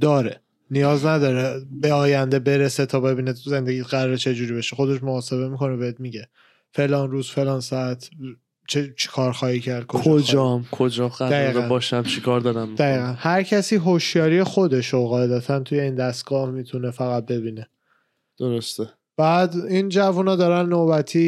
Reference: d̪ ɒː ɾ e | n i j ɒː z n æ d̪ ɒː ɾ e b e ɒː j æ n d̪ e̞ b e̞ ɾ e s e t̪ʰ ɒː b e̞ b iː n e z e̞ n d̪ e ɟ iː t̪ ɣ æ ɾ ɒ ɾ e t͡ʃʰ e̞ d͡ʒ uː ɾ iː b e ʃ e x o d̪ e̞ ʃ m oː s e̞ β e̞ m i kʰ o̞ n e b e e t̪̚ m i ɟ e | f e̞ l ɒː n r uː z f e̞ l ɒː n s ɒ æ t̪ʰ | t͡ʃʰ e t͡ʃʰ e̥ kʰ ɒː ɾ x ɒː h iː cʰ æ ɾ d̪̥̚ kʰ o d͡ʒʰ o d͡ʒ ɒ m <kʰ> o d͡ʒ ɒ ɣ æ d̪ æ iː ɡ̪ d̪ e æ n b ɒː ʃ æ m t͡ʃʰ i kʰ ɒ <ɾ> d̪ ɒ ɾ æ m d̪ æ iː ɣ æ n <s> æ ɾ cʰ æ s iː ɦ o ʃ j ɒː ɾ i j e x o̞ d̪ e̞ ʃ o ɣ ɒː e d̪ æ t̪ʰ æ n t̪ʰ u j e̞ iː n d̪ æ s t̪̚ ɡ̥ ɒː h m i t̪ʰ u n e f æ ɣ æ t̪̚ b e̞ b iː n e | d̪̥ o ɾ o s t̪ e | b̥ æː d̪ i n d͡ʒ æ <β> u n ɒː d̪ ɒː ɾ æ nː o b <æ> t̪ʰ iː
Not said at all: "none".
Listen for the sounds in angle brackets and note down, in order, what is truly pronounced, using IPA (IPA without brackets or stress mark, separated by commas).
kʰ, ɾ, h, v, æ